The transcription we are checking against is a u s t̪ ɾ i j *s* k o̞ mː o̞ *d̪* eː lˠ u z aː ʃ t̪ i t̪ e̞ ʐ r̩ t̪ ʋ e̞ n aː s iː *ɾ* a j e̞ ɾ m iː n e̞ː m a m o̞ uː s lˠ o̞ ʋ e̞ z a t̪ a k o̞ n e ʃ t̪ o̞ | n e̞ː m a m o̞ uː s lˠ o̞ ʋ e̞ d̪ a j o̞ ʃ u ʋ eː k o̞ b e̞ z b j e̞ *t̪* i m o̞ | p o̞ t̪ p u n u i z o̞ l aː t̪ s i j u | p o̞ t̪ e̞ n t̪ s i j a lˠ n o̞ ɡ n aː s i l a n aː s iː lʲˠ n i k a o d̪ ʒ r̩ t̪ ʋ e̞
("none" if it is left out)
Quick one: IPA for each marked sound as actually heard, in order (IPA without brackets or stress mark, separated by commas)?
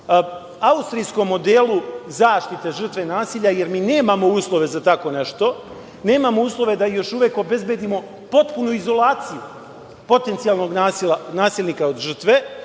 s, d̪, ʎ, d̪